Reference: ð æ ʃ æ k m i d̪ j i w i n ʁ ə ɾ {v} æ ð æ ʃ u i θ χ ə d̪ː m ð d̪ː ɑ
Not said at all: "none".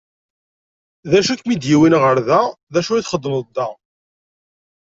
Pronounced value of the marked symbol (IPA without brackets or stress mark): ð